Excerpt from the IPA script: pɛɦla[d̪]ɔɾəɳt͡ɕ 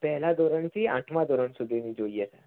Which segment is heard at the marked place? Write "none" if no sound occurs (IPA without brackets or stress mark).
d̪